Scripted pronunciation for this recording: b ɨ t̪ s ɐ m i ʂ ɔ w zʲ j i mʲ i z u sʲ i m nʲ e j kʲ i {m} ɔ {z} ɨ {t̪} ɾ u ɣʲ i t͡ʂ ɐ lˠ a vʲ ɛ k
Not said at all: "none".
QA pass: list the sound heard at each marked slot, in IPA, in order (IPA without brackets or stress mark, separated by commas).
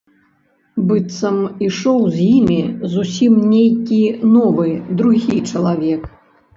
n, v, d̪